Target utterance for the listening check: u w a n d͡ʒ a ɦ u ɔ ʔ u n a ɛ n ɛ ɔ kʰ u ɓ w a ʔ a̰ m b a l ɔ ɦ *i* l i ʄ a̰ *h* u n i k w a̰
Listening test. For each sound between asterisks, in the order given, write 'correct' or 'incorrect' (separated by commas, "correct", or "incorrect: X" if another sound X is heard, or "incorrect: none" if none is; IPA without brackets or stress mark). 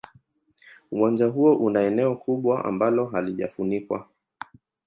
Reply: incorrect: a, incorrect: f